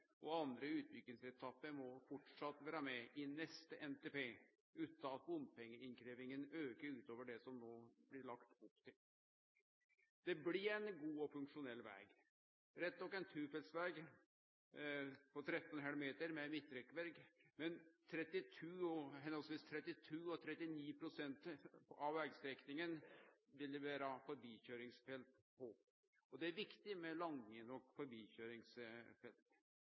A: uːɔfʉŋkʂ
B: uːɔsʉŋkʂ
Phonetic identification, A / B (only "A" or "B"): A